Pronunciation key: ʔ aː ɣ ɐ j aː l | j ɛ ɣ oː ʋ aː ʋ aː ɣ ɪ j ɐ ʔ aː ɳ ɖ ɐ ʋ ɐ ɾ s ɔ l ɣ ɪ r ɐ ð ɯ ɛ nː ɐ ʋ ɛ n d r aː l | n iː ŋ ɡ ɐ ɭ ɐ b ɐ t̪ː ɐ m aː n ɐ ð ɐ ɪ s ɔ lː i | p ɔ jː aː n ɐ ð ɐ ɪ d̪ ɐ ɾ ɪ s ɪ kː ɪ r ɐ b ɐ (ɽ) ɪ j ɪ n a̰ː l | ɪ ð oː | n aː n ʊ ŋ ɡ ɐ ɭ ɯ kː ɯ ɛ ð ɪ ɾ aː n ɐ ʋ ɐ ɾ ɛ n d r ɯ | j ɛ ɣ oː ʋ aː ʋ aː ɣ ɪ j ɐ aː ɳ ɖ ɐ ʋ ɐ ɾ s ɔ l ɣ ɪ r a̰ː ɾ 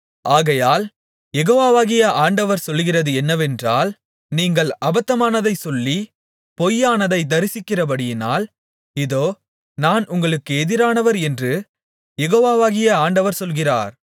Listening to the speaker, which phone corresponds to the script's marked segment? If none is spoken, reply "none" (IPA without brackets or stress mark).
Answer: ɽ